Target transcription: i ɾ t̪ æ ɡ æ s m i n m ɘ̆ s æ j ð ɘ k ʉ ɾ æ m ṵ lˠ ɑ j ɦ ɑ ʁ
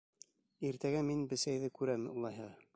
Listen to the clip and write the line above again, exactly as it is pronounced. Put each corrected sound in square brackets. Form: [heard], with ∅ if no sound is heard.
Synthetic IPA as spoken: i ɾ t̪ æ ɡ æ [∅] m i n [b] ɘ̆ s æ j ð ɘ k ʉ ɾ æ m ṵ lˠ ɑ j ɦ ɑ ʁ